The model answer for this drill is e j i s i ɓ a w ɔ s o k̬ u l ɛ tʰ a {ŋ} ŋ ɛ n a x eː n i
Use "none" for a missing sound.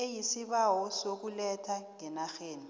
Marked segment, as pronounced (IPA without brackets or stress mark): ŋ